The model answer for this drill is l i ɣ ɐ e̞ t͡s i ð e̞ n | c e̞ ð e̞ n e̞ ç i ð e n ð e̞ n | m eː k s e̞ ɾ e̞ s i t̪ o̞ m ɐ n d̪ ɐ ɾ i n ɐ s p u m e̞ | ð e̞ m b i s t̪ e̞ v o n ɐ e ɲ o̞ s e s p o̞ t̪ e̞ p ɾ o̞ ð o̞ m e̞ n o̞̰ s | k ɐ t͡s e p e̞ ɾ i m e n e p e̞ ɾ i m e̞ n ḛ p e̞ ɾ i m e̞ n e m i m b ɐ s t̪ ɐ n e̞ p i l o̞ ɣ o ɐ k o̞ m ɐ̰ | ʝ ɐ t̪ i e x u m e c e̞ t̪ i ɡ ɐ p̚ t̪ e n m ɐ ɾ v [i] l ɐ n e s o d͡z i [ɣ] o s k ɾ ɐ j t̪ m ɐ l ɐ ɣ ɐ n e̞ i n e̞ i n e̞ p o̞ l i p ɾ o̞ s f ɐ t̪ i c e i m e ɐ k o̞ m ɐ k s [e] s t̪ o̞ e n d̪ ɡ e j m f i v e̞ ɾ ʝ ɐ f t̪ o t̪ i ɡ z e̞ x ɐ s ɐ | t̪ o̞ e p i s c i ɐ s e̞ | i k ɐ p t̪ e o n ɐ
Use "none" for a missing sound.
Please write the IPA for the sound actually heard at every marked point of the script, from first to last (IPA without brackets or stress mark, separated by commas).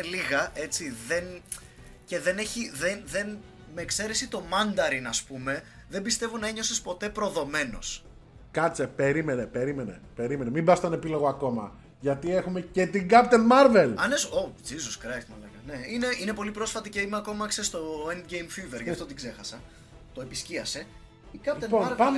e, z, e